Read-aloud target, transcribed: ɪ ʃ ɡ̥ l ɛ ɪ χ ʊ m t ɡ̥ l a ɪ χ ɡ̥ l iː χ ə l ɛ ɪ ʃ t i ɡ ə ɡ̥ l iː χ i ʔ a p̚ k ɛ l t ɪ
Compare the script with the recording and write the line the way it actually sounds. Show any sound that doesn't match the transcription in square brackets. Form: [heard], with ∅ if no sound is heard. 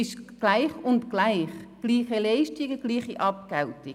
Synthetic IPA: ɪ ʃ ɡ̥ l [a] ɪ χ ʊ [n] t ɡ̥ l a ɪ χ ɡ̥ l iː χ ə l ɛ ɪ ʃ t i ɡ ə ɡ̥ l iː χ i ʔ [ɑ] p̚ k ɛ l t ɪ